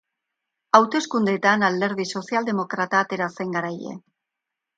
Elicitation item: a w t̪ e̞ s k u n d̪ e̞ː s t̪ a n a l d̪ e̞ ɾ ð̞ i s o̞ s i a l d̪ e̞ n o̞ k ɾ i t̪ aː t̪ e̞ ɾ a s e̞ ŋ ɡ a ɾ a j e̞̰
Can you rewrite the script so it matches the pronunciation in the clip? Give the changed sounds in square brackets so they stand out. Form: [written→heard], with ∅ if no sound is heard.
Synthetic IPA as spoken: a w t̪ e̞ s k u n d̪ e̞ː [s→∅] t̪ a n a l d̪ e̞ ɾ ð̞ i s o̞ s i a l d̪ e̞ [n→m] o̞ k ɾ [i→a] t̪ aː t̪ e̞ ɾ a s e̞ ŋ ɡ a ɾ a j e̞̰